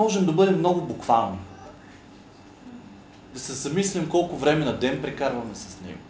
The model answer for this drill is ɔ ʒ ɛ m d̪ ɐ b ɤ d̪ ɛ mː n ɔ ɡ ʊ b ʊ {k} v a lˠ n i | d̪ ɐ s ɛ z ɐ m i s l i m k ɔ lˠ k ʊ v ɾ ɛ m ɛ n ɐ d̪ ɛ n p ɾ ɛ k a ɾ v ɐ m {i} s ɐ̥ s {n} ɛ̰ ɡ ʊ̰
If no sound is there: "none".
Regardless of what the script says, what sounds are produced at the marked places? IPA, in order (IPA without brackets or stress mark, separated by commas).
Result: k, ɛ, n